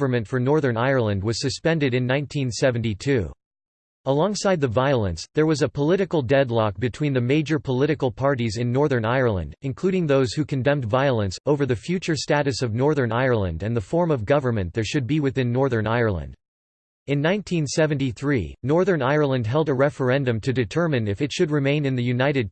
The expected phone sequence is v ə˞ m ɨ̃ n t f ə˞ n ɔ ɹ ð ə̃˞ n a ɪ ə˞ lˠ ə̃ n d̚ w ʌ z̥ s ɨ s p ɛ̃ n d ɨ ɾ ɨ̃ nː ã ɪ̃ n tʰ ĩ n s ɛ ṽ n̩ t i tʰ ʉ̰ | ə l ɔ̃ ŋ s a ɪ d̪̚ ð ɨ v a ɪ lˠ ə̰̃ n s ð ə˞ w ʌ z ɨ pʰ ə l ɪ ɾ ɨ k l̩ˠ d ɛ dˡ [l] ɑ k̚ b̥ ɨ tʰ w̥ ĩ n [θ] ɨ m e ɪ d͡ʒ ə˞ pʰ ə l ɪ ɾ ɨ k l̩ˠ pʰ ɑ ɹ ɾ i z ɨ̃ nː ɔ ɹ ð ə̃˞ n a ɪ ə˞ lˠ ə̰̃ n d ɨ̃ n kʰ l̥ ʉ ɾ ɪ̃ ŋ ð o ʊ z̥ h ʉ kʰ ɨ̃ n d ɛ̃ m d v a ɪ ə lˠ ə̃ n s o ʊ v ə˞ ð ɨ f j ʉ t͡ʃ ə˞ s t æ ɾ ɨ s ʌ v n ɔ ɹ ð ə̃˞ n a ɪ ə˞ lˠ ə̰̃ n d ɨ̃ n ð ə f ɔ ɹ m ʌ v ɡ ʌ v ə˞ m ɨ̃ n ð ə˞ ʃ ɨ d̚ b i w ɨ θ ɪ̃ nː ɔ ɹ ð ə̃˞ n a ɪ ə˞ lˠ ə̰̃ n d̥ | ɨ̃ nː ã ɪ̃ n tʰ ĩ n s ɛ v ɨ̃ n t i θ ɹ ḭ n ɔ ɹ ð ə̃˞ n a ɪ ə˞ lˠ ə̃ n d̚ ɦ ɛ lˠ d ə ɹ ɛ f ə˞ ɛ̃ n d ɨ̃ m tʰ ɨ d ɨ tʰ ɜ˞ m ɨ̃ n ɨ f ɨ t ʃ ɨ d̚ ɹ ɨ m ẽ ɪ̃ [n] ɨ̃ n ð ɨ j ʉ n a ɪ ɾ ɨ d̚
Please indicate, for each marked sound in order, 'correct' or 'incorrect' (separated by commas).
correct, incorrect, correct